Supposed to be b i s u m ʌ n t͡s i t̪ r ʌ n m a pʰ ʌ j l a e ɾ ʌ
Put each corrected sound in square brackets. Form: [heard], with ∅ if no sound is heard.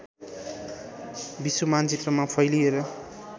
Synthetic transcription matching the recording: b i s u m [a] n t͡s i t̪ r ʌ [∅] m a pʰ ʌ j l [i] e ɾ ʌ